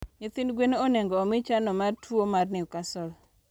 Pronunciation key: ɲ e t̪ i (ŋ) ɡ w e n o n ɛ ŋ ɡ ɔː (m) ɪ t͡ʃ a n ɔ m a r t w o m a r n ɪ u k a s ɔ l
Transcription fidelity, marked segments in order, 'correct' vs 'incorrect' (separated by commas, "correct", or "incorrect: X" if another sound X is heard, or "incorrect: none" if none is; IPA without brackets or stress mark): incorrect: n, correct